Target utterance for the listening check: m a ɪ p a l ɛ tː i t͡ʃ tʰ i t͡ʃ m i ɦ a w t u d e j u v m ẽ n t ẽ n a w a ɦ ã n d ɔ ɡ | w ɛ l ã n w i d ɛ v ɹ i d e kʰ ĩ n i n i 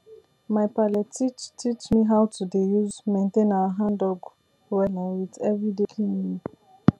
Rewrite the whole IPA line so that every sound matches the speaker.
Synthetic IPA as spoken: m a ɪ p a l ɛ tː i t͡ʃ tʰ i t͡ʃ m i ɦ a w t u d e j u z m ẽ n t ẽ n a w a ɦ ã n d ɔ ɡ | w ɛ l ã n w i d ɛ v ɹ i d e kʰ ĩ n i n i